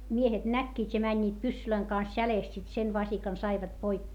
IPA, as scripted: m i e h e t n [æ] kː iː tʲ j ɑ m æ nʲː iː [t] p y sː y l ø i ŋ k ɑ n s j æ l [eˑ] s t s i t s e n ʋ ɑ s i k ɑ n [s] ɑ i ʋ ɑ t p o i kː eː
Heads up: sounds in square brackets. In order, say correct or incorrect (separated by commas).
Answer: correct, correct, correct, correct